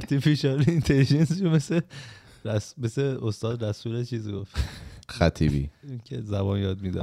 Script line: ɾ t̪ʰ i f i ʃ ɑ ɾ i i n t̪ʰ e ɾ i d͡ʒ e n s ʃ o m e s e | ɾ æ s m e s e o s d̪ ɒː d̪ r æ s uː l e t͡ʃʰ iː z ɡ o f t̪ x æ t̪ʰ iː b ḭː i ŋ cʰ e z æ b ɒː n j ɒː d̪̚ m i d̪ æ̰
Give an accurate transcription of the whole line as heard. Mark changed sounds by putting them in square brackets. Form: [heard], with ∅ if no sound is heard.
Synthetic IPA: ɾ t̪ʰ i f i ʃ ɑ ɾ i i n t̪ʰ e [l] i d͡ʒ e n s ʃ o m e s e | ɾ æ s m e s e o s [t̪] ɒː d̪ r æ s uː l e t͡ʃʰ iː z ɡ o f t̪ x æ t̪ʰ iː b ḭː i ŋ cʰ e z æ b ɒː n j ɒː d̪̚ m i d̪ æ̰